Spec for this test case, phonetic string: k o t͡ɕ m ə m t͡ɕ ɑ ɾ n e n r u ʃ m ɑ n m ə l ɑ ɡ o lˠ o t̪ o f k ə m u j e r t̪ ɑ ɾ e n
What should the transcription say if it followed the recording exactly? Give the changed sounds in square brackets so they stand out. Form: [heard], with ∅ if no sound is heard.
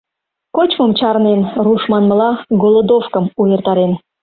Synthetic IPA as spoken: k o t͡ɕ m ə m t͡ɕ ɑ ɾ n e n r u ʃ m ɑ n m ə l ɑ ɡ o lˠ o [d̪] o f k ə m u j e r t̪ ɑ ɾ e n